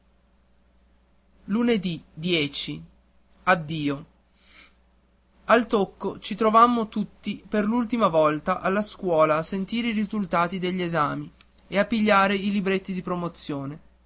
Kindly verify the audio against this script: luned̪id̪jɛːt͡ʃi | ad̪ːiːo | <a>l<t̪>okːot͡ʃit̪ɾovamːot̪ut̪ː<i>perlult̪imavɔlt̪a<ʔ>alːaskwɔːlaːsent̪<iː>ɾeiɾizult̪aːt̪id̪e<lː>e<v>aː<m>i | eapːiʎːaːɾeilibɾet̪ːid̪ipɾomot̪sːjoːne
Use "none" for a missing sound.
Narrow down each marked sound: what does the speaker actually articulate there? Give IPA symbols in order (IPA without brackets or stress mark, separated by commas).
a, t̪, i, ʔ, iː, ʎː, z, m